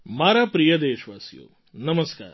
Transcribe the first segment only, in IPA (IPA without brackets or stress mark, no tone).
m